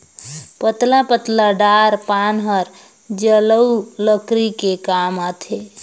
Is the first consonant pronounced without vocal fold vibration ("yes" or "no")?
yes